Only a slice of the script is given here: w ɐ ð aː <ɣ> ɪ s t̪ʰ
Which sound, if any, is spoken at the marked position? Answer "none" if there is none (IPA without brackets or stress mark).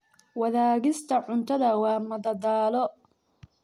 ɣ